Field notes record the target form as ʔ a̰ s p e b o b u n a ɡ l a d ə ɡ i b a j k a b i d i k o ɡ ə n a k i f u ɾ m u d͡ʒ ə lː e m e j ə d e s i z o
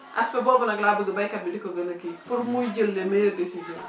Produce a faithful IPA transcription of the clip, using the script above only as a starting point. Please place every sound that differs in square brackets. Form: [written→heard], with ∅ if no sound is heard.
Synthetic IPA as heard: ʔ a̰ s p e b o b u n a ɡ l a [d→b] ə ɡ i b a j k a b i d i k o ɡ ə n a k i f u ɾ m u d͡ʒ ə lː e m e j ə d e s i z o